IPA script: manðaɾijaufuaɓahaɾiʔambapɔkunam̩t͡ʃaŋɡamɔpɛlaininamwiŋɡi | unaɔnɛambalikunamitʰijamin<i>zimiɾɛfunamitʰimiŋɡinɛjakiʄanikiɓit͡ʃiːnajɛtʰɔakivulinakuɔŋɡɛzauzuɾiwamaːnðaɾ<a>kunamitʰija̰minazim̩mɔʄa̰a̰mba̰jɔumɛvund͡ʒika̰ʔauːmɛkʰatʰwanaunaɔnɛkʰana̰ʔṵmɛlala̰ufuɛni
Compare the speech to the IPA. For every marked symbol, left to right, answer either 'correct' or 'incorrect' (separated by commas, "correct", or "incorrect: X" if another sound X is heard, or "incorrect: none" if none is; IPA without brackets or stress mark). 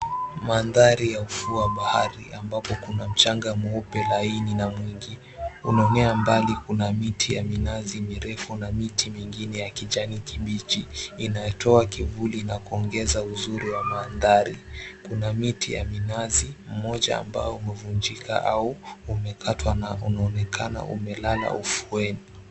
incorrect: a, incorrect: i